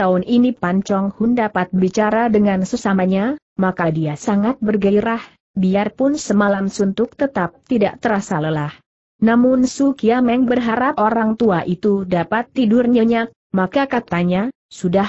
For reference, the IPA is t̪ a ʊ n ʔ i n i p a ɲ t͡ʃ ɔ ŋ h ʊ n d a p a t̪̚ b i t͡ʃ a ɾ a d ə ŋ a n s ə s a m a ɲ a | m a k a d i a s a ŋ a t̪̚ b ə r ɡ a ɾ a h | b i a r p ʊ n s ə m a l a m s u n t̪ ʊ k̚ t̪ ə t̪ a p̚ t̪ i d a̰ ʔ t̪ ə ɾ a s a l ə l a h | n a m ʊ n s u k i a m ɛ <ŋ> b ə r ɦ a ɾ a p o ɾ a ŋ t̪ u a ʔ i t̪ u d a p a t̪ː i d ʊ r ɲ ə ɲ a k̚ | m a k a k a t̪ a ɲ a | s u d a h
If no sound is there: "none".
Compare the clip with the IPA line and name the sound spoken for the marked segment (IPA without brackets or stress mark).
ŋ